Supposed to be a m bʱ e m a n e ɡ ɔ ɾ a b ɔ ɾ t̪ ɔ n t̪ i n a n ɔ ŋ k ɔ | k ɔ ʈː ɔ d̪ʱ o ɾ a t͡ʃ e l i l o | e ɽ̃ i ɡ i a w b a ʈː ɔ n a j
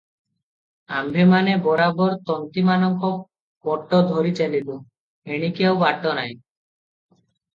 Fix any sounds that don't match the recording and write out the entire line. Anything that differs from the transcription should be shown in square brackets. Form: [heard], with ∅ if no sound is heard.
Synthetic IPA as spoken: a m bʱ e m a n e [b] ɔ ɾ a b ɔ ɾ t̪ ɔ n t̪ i [m] a n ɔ ŋ k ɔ | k ɔ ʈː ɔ d̪ʱ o ɾ [i] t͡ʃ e l i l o | e ɽ̃ i [k] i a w b a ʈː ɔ n a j